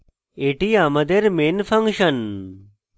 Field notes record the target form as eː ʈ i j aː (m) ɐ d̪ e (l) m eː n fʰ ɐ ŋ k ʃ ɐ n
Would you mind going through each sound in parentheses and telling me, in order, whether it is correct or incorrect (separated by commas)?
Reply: correct, incorrect